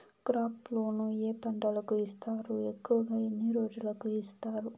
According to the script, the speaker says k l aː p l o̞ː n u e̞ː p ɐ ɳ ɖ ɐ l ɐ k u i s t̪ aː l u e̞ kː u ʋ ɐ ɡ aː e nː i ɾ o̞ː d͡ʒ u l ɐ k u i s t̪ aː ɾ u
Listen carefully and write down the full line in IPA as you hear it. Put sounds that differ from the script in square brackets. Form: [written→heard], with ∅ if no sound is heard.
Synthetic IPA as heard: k [l→ɾ] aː p l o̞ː n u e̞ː p ɐ ɳ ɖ ɐ l ɐ k u i s t̪ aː [l→ɾ] u e̞ kː u ʋ ɐ ɡ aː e nː i ɾ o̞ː d͡ʒ u l ɐ k u i s t̪ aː ɾ u